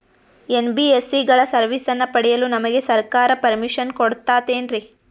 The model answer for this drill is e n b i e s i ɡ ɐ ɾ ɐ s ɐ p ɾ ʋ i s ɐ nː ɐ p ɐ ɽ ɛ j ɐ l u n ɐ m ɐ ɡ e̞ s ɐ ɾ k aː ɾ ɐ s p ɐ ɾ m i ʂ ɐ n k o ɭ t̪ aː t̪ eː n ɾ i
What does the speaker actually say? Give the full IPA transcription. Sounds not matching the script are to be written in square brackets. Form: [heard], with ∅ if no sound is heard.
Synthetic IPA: e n b i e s i ɡ ɐ [ɭ] ɐ s ɐ [∅] ɾ ʋ i s ɐ nː ɐ p ɐ ɽ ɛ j ɐ l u n ɐ m ɐ ɡ e̞ s ɐ ɾ k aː ɾ ɐ [∅] p ɐ ɾ m i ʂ ɐ n k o [ɽ] t̪ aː t̪ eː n ɾ i